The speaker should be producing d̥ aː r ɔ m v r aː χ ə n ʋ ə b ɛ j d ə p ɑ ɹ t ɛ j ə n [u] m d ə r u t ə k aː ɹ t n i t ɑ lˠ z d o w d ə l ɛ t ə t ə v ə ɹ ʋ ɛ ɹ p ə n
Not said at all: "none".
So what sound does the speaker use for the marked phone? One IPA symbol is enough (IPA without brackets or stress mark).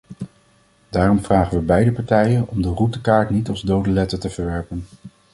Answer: ɔ